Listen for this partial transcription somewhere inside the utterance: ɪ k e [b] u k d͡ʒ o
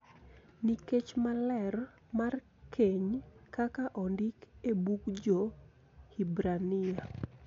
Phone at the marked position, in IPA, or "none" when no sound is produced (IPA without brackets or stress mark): b